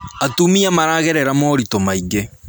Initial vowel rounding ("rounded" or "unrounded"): unrounded